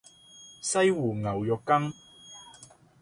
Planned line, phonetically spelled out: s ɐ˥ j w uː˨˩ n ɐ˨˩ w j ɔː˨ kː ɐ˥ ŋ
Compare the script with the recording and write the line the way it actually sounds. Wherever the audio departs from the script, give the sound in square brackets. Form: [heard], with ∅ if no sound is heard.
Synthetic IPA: s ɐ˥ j w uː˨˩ [ŋ] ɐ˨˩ w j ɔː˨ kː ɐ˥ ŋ